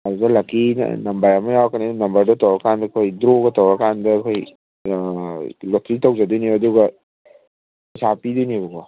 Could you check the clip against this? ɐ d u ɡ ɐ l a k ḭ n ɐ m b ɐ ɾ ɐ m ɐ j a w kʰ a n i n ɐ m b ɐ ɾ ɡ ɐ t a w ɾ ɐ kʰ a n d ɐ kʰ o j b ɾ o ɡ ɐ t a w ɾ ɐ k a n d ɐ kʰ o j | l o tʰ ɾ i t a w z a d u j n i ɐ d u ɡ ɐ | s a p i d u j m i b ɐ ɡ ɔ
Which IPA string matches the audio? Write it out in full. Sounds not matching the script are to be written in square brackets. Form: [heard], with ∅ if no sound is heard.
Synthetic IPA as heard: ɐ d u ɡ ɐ l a k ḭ n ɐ m b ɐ ɾ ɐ m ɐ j a w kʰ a n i n ɐ m b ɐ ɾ [d] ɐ t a w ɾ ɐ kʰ a n d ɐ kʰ o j [d] ɾ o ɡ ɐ t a w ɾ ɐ k a n d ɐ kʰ o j | l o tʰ ɾ i t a w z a d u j n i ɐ d u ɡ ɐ | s a p i d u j [n] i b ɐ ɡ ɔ